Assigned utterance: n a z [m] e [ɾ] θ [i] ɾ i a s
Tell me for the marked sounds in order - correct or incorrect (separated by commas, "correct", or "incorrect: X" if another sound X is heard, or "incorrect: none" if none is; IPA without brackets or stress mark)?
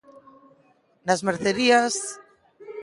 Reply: correct, correct, incorrect: e